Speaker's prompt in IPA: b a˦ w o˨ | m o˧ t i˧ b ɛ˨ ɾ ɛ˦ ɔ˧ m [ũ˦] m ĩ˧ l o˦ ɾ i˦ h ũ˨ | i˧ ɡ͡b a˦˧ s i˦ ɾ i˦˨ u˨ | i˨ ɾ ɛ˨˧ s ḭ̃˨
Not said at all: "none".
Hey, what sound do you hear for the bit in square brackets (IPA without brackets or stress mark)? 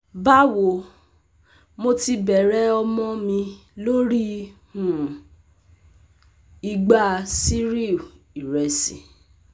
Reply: ɔ̃˦